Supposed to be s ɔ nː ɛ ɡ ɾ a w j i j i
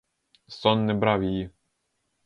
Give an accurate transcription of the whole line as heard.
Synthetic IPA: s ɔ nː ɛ b ɾ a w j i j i